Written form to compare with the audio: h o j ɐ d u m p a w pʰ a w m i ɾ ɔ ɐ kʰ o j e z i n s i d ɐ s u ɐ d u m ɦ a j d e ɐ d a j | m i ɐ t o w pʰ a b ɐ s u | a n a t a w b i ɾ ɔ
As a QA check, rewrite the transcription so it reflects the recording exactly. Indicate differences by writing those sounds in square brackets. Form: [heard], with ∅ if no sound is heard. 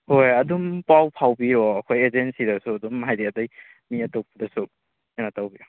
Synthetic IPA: h o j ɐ d u m p a w pʰ a w [b] i ɾ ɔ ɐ kʰ o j e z [e] n s i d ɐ s u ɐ d u m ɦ a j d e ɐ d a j | m i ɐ t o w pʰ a [d] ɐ s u | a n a t a w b i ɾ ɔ